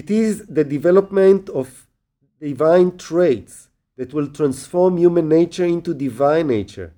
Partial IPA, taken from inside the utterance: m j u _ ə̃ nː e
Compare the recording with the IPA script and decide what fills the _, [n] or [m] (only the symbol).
m